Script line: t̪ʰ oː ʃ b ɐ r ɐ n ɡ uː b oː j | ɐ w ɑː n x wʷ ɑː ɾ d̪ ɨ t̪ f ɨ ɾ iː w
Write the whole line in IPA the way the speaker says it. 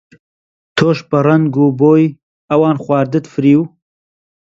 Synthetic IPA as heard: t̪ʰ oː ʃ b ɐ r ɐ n ɡ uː b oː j | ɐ w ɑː n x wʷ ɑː ɾ d̪ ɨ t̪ f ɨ ɾ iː w